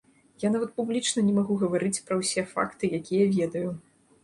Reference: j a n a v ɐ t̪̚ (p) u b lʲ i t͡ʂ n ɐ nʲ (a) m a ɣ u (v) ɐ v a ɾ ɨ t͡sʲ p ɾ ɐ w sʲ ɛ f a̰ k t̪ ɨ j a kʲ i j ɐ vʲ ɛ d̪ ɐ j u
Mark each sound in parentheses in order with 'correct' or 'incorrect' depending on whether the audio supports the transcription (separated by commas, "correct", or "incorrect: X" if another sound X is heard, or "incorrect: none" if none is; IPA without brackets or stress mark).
correct, incorrect: ɛ, incorrect: ɣ